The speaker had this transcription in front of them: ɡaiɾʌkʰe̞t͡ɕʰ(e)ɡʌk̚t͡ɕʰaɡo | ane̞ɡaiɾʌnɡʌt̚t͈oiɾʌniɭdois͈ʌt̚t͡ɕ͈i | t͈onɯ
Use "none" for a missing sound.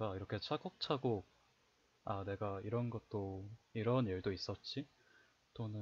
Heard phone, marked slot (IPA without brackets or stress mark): a